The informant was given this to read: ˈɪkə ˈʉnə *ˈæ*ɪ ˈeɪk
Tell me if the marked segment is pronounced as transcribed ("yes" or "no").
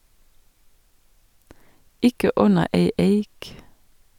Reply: no